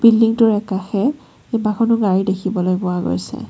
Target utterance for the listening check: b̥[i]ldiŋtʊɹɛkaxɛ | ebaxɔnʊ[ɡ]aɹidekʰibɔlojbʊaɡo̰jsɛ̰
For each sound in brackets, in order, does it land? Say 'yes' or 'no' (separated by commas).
yes, yes